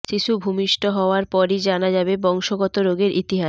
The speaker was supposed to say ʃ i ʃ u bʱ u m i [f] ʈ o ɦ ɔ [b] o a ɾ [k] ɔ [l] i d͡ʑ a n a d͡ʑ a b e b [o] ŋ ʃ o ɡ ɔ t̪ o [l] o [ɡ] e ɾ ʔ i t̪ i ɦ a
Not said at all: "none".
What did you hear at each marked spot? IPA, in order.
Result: ʃ, none, p, ɾ, ɔ, ɾ, ɡ

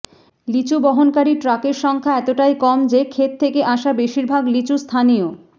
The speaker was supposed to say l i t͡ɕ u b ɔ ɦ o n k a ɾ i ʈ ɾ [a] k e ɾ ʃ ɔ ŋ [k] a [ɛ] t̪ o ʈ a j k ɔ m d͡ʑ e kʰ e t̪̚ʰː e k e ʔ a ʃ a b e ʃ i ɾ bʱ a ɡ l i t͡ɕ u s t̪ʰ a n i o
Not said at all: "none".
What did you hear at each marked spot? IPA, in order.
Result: a, kʰ, ɛ

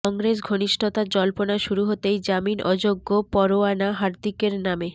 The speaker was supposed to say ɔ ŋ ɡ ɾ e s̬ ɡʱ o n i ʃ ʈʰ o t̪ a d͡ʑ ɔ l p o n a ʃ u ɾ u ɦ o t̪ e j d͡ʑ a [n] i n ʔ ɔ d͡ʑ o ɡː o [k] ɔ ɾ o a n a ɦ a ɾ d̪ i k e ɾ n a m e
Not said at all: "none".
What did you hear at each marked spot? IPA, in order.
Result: m, p

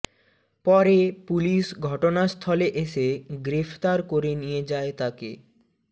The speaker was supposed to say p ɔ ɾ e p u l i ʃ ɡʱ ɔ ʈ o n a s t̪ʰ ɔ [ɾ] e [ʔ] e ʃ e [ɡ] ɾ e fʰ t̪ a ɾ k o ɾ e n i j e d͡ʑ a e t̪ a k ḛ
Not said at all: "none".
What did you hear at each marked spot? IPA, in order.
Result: l, ʔ, ɡ

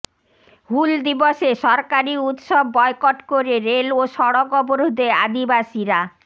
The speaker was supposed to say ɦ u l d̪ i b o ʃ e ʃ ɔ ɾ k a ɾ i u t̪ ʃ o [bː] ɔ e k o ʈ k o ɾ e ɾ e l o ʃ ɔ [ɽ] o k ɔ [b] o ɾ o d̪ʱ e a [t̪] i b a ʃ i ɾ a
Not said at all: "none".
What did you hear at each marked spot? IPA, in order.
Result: bː, ɽ, b, d̪

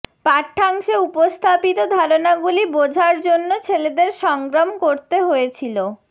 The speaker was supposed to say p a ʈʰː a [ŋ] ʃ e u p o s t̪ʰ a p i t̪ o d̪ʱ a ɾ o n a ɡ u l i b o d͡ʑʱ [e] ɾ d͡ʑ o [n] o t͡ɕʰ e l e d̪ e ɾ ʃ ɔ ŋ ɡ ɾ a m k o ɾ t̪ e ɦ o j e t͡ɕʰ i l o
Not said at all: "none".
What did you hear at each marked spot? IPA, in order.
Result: ŋ, a, nː

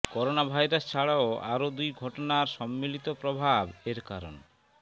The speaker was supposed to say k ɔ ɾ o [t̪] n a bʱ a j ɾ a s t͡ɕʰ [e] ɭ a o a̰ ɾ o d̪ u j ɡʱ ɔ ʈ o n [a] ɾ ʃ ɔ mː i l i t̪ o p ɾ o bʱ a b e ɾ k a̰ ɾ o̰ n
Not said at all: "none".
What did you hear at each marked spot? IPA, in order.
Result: none, a, a

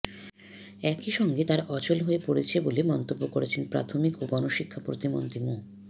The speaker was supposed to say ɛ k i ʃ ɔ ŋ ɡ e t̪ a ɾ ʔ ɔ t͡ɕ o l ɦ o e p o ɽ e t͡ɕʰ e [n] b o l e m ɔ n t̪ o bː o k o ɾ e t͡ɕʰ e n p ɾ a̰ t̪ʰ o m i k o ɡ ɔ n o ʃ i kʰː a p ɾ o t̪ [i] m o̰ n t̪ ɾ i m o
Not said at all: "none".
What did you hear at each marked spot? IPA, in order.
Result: none, i

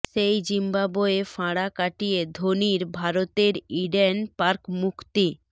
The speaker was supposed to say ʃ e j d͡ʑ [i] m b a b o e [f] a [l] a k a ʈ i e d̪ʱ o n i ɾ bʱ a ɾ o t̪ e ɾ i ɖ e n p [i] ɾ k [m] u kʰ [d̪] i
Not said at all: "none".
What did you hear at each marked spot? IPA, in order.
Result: i, f, ɽ, a, m, t̪

